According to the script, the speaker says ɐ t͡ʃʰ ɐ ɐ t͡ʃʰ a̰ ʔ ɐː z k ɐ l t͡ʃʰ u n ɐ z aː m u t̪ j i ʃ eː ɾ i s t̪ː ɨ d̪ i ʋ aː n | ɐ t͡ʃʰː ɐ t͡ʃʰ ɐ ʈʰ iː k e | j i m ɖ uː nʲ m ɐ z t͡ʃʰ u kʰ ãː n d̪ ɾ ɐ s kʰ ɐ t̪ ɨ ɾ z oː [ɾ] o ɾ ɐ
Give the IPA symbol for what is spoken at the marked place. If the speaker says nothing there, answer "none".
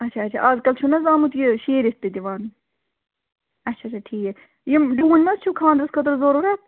ɾ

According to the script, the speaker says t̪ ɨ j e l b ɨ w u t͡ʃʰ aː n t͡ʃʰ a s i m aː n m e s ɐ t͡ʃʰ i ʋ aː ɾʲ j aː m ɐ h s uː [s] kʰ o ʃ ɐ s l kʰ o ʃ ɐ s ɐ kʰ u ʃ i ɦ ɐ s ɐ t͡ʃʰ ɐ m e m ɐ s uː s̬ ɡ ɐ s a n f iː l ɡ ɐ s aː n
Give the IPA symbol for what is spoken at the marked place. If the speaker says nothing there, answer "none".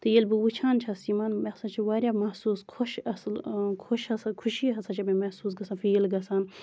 s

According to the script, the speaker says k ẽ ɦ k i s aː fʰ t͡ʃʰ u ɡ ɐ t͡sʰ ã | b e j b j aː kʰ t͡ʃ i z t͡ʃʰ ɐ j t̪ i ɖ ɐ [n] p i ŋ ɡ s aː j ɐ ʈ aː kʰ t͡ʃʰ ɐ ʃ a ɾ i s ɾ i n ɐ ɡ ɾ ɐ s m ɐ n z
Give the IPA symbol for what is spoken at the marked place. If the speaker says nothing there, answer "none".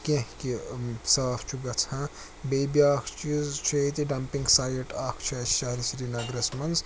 m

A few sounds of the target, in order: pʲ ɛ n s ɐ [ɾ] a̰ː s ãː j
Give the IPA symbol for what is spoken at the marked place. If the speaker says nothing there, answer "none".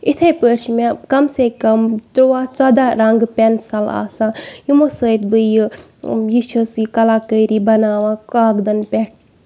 l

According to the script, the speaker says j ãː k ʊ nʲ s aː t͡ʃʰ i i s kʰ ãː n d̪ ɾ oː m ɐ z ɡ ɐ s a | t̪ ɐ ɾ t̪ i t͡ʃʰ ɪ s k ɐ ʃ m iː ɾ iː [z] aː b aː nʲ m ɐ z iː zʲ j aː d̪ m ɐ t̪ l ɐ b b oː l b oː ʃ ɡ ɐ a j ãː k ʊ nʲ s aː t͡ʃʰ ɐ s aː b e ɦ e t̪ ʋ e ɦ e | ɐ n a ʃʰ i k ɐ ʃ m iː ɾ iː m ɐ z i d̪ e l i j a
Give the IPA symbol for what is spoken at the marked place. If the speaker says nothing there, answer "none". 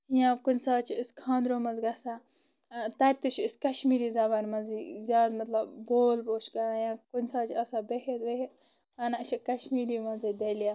z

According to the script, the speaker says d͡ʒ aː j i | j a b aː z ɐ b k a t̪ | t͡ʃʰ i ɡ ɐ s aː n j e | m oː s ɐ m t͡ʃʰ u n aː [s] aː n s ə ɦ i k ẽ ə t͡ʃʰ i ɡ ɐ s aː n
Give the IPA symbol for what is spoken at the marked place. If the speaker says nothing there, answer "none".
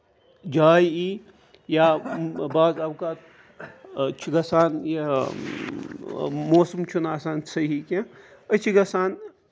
s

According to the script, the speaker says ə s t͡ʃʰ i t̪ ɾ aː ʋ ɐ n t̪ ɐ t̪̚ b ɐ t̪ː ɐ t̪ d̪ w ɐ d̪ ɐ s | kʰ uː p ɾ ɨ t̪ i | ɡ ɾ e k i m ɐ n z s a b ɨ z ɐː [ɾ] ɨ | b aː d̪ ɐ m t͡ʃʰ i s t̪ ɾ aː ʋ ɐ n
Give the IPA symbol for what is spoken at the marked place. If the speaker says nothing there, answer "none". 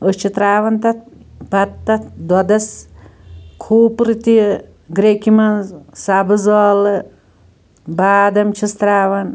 l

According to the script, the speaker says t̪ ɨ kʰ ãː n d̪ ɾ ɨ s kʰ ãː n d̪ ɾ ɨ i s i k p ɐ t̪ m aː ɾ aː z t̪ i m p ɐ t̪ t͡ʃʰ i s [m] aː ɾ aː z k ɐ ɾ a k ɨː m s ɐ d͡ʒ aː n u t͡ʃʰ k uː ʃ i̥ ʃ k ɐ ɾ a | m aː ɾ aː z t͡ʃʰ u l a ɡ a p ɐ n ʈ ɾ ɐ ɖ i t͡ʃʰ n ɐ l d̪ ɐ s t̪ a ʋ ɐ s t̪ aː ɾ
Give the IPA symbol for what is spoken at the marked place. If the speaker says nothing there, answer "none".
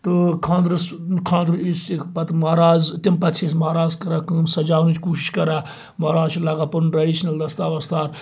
m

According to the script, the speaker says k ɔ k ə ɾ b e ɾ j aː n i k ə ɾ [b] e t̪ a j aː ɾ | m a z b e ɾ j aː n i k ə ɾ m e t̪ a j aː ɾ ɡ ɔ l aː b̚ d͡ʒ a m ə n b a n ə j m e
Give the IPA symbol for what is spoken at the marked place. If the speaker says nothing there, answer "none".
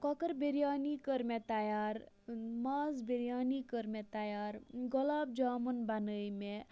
m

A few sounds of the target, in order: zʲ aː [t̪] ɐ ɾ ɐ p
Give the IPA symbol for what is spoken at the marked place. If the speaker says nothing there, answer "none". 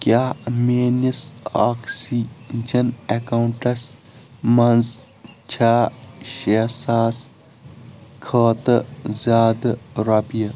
d̪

